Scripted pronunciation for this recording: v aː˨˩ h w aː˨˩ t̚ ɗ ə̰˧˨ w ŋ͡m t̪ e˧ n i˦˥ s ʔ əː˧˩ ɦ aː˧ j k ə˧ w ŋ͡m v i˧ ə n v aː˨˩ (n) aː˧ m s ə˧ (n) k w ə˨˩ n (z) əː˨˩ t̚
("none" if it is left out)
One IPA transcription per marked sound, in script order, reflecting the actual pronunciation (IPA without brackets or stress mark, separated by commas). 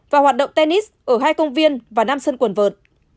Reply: n, n, v